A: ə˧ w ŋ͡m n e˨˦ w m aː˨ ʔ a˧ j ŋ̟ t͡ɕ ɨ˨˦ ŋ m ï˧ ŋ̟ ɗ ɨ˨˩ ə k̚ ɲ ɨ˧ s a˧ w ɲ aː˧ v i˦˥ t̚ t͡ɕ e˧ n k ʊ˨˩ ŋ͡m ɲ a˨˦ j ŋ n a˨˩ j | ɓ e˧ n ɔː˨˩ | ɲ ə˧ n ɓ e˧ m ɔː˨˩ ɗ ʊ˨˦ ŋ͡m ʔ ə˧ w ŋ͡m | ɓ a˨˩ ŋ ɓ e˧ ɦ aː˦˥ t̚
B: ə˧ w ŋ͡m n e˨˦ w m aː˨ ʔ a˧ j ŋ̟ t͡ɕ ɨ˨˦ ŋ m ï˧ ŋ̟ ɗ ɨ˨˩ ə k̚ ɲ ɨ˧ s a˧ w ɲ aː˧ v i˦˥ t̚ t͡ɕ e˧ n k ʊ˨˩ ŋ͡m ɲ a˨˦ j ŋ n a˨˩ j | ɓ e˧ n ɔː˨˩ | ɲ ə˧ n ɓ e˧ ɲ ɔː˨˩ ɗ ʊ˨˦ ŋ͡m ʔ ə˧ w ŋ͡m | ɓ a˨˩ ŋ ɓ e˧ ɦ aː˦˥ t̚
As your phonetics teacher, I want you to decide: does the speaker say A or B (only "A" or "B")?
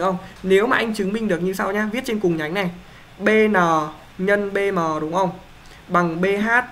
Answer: A